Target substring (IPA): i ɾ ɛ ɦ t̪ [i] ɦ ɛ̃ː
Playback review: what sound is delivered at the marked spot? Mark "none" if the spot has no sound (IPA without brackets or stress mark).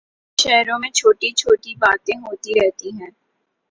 i